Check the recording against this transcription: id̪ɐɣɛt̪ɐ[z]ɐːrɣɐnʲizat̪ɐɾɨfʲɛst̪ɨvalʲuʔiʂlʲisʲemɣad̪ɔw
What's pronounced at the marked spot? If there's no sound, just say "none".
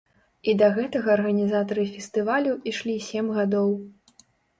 ɣ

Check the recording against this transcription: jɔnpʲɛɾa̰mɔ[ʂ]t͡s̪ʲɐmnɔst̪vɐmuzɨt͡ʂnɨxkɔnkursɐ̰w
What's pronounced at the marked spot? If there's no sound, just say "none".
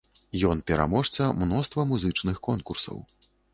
ʂ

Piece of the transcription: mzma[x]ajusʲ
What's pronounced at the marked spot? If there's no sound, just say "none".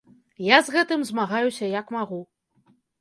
ɣ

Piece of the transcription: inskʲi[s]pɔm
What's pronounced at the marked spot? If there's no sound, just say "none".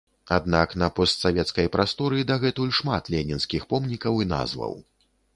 x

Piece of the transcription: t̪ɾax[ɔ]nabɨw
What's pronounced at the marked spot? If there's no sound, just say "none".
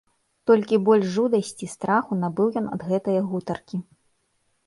u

